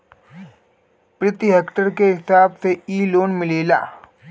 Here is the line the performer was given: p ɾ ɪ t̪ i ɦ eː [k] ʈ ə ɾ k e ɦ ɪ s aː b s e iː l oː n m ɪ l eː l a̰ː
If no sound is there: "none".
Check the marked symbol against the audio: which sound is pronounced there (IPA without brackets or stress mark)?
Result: k